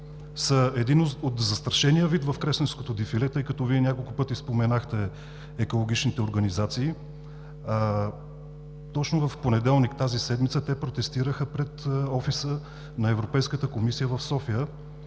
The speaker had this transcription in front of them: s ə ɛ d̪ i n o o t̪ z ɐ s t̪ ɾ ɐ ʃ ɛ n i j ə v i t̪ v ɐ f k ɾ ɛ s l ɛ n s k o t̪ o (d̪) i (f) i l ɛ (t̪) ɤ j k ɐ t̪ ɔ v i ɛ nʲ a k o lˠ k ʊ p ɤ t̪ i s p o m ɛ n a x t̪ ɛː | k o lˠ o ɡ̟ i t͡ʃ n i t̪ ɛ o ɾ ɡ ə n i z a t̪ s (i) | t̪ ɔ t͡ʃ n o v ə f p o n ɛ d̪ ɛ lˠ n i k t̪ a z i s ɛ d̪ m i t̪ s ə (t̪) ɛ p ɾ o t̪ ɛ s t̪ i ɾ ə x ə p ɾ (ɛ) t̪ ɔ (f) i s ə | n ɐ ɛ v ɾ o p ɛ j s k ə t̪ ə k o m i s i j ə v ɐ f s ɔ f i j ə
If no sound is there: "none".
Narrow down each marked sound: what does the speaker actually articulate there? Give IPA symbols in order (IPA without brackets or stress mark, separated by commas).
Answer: d̪, f, t̪, iː, t̪, ɛ, f